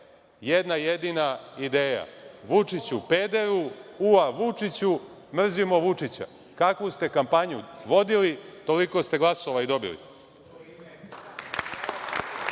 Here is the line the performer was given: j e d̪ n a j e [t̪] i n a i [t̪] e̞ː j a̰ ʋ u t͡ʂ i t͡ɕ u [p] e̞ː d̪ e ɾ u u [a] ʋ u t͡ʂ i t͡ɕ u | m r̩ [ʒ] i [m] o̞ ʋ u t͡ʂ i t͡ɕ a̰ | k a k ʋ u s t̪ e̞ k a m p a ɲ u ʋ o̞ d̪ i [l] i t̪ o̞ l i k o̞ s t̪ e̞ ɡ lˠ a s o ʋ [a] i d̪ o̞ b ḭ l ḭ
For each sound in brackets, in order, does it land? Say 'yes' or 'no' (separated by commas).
no, no, yes, yes, no, yes, yes, yes